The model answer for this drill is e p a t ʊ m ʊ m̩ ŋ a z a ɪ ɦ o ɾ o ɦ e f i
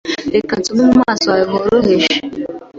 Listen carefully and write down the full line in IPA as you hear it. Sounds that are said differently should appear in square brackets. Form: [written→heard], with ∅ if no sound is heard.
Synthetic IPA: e [p→k] a t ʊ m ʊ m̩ [ŋ→m] a [z→s] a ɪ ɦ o ɾ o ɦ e [f→ʃ] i